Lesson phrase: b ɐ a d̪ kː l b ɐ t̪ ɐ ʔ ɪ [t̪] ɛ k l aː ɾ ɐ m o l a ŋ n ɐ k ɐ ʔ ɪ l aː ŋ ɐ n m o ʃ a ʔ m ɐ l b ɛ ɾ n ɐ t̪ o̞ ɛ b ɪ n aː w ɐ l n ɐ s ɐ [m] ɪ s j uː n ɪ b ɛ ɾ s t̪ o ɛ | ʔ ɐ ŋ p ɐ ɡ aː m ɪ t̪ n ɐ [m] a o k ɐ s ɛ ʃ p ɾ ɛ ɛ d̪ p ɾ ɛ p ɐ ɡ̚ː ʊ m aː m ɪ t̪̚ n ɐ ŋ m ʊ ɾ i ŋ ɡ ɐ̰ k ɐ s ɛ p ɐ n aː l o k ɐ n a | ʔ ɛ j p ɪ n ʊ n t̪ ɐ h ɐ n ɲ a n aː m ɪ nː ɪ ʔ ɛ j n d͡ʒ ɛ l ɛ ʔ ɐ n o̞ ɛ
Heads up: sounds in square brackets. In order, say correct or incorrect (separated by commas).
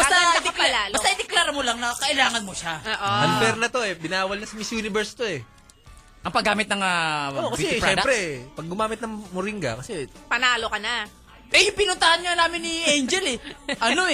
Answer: incorrect, correct, incorrect